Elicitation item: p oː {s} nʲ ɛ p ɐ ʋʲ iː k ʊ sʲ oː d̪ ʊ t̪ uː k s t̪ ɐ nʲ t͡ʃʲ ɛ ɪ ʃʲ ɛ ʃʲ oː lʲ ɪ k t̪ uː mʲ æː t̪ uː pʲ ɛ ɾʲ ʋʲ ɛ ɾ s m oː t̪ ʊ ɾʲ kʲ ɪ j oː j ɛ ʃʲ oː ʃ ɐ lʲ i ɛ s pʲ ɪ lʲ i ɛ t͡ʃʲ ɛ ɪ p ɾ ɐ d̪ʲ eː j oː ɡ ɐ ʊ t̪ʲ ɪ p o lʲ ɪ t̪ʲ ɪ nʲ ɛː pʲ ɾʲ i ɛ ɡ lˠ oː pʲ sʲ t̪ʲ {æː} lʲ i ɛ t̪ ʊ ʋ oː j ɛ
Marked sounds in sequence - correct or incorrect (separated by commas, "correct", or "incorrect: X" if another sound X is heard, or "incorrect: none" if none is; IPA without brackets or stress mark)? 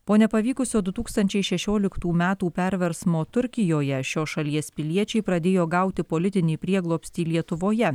incorrect: none, incorrect: iː